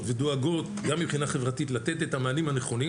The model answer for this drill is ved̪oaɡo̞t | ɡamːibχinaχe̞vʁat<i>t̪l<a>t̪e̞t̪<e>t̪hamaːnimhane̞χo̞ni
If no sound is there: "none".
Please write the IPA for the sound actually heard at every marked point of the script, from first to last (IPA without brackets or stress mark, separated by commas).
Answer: i, a, e